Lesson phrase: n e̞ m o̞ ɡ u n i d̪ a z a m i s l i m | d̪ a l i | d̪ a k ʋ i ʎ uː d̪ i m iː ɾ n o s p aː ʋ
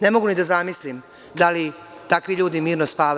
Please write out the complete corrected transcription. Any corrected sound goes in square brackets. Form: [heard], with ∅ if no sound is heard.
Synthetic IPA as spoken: n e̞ m o̞ ɡ u n i d̪ a z a m i s l i m | d̪ a l i | [t̪] a k ʋ i ʎ uː d̪ i m iː ɾ n o s p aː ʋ